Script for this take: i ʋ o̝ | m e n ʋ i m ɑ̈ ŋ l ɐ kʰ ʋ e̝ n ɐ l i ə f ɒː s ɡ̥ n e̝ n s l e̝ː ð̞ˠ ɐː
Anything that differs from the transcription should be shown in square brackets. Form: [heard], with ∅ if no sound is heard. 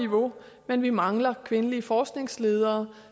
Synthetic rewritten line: i ʋ o̝ | m e n ʋ i m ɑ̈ ŋ l ɐ kʰ ʋ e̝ n [ə] l i ə f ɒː s ɡ̥ n e̝ [ŋ] s l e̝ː ð̞ˠ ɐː